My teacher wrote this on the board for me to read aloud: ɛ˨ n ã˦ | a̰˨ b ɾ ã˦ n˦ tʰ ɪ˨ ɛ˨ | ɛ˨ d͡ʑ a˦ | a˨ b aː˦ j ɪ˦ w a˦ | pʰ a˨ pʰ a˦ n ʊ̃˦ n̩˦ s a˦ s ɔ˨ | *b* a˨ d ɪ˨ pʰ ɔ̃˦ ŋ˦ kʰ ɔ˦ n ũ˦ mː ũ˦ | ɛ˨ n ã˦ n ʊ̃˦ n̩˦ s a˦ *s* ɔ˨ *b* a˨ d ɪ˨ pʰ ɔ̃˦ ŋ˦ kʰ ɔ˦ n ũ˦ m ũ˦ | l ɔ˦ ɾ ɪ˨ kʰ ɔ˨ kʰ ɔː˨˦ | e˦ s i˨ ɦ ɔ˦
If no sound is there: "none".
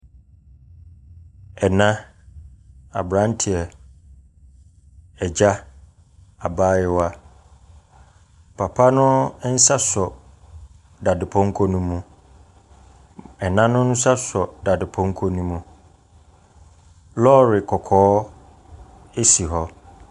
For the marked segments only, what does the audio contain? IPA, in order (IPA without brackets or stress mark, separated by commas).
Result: d, s, d